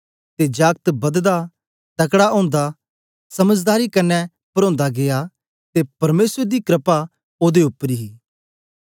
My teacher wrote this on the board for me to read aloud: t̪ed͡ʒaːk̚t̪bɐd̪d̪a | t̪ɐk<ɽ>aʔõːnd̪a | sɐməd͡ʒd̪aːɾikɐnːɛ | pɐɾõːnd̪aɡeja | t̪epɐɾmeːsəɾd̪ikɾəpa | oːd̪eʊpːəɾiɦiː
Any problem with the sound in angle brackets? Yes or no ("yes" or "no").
no